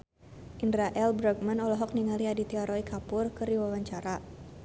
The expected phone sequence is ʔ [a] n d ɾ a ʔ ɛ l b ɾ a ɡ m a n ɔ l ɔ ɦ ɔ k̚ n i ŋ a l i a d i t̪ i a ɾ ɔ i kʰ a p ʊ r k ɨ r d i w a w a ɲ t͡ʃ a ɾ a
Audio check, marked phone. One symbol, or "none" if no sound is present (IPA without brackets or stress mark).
i